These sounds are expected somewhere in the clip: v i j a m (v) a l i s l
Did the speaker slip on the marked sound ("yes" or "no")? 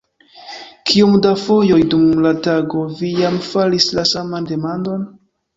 yes